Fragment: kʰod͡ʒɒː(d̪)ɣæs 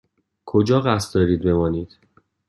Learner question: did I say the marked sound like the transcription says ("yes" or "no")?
no